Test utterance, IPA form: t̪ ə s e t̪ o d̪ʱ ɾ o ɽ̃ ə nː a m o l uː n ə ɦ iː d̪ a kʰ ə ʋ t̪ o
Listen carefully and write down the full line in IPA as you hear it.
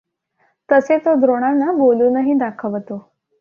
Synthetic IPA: t̪ ə s e t̪ o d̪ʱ ɾ o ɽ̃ a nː a b o l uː n ə ɦ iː d̪ a kʰ ə ʋ t̪ o